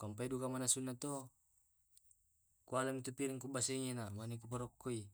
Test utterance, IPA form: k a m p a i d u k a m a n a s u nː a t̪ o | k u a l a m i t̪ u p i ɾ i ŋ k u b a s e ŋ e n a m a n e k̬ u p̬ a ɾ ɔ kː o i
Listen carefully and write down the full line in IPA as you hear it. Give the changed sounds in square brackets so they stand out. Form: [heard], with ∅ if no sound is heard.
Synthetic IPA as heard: k a m p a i d u k a m a n a s u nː a t̪ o | k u a l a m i t̪ u p i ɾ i ŋ k u b a s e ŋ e n a m a n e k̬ u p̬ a ɾ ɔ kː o i